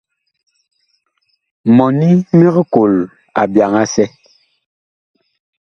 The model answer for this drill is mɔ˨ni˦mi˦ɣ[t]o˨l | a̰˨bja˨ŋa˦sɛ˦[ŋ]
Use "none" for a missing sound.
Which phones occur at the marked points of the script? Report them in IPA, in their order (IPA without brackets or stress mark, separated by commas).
k, none